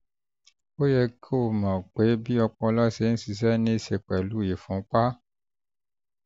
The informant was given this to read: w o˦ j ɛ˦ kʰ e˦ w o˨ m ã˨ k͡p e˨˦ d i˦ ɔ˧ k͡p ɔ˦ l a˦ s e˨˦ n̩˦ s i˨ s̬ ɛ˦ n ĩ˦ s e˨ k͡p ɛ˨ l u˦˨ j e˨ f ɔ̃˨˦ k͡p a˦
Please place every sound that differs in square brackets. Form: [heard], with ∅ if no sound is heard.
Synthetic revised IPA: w o˦ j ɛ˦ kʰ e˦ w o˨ m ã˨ k͡p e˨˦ [b] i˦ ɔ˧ k͡p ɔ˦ l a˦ s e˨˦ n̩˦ s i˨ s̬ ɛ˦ n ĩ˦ s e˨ k͡p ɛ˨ l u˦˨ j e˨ f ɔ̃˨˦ k͡p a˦

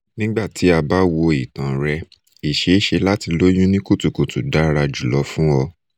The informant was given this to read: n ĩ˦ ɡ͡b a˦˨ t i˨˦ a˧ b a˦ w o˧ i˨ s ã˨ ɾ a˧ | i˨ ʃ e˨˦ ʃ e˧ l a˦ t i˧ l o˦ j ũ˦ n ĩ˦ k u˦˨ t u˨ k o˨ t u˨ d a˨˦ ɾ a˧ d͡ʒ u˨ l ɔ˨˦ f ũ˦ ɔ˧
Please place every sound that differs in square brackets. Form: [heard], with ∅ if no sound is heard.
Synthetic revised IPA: n ĩ˦ ɡ͡b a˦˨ t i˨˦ a˧ b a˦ w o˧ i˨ [t] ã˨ ɾ [ɛ˧] | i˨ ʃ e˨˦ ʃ e˧ l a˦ t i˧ l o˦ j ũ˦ n ĩ˦ k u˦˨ t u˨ k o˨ t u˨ d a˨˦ ɾ a˧ d͡ʒ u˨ l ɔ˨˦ f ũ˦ ɔ˧

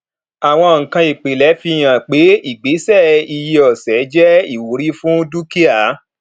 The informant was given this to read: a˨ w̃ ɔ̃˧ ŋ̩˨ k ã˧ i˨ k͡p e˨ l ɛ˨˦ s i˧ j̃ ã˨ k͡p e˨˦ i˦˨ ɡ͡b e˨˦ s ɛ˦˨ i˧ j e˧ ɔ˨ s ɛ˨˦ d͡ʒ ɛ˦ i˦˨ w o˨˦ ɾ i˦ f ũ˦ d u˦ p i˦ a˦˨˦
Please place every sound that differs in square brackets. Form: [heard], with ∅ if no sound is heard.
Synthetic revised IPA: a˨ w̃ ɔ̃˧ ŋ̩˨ k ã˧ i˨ k͡p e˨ l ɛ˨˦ [f] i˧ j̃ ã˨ k͡p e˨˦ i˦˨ ɡ͡b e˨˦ s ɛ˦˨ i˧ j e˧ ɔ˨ s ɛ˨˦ d͡ʒ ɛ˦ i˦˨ w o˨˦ ɾ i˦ f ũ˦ d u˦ [k] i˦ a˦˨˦

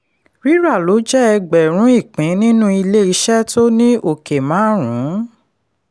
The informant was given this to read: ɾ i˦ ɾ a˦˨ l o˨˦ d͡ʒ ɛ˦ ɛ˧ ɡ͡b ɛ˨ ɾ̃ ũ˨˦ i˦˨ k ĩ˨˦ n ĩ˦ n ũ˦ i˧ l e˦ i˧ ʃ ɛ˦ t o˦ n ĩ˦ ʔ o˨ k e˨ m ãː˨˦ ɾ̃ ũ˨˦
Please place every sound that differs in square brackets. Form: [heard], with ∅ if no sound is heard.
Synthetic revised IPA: ɾ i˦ ɾ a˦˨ l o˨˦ d͡ʒ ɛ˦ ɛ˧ ɡ͡b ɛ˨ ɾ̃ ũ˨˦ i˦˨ [k͡p] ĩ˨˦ n ĩ˦ n ũ˦ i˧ l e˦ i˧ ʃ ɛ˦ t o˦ n ĩ˦ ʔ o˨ k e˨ m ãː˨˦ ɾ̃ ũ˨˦

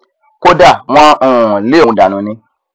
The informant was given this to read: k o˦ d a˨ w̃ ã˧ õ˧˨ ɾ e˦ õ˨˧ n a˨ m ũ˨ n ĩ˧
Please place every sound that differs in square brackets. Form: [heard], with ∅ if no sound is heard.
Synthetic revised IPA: k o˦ d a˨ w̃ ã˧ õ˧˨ [l] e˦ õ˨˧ [d] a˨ [n] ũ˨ n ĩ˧

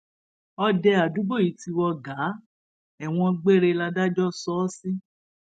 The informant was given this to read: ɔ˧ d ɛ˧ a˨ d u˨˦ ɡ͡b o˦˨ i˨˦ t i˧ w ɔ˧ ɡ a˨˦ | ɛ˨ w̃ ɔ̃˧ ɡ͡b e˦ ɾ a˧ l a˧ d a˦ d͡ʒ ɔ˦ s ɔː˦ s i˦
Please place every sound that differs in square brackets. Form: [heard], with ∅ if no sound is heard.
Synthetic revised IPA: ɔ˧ d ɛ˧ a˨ d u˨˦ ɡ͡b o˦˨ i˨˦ t i˧ w ɔ˧ ɡ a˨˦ | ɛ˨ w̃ ɔ̃˧ ɡ͡b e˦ ɾ [e˧] l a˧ d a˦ d͡ʒ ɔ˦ s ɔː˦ s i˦

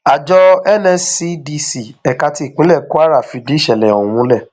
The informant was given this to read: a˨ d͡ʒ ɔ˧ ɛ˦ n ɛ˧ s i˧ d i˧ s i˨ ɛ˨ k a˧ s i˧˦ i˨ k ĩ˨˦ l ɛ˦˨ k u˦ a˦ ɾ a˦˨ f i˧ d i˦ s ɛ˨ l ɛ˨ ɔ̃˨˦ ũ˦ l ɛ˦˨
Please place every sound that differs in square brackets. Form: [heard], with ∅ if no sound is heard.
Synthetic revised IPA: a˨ d͡ʒ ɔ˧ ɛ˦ n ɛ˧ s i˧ d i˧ s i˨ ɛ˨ k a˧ [t] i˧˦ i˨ [k͡p] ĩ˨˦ l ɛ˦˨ k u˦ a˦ ɾ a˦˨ f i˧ d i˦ [ʃ] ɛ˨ l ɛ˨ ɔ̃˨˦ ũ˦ l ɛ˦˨

